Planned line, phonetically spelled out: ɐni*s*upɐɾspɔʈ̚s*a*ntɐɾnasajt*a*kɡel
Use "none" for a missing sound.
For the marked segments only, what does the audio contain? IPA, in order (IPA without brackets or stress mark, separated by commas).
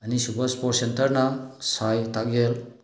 s, e, a